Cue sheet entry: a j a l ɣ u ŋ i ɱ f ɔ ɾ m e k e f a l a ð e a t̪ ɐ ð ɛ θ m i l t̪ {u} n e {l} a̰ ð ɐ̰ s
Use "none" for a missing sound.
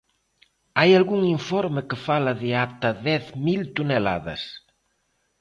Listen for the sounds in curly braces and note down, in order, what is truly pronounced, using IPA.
u, l

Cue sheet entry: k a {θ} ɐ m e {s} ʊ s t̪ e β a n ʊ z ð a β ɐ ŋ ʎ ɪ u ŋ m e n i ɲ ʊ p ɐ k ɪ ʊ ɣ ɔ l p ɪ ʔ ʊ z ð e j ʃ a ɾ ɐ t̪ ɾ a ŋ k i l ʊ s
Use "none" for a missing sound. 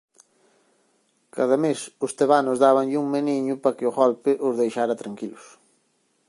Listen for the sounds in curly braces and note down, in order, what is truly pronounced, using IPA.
ð, s

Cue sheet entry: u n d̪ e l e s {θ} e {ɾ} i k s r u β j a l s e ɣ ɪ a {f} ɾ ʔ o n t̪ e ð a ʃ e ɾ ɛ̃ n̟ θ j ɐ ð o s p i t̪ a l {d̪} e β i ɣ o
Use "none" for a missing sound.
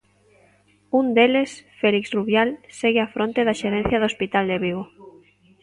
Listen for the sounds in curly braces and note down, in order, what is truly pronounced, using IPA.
f, l, f, d̪

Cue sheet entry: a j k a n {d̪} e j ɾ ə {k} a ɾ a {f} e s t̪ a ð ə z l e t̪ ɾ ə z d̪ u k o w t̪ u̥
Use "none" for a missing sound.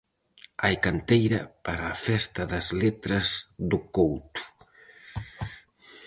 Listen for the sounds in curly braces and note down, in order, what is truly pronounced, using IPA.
t̪, p, f

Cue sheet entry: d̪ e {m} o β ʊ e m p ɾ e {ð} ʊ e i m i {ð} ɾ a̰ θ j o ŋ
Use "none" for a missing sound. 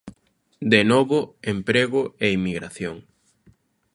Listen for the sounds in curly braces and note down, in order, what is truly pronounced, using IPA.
n, ɣ, ɣ

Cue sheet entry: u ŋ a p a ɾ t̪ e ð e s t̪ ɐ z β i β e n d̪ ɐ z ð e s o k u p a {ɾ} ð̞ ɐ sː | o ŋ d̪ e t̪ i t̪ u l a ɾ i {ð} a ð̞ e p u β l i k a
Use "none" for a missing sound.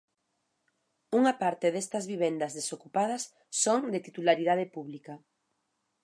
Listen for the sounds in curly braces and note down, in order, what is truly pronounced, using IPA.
none, ð

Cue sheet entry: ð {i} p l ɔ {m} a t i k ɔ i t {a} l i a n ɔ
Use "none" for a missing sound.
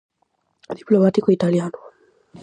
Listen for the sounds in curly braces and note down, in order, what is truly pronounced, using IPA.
i, m, a

